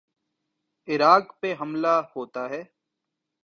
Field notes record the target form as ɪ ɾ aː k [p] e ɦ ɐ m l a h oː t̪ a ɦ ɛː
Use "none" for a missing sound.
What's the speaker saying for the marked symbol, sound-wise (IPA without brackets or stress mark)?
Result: p